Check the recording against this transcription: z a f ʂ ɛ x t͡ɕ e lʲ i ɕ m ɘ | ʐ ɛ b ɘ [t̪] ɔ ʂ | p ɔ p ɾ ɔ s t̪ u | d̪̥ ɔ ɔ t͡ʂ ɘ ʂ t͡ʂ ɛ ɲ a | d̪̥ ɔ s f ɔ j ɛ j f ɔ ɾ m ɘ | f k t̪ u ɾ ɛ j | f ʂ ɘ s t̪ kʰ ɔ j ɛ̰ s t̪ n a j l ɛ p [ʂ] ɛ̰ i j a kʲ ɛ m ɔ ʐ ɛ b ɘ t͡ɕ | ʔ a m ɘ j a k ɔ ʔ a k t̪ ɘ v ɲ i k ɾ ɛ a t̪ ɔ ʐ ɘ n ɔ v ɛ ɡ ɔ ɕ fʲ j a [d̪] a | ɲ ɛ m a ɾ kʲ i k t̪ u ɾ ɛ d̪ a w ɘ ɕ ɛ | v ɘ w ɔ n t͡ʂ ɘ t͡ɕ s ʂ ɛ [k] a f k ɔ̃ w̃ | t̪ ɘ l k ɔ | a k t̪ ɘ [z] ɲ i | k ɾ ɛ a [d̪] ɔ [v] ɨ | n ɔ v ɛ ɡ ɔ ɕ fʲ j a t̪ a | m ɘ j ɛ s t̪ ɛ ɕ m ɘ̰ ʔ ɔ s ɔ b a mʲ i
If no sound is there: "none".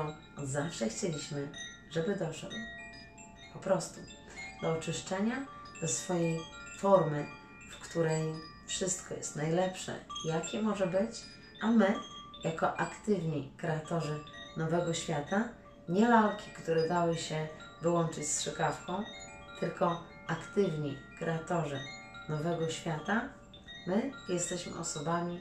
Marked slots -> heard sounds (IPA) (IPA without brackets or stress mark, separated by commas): d̪, ʂ, t̪, k, v, t̪, ʐ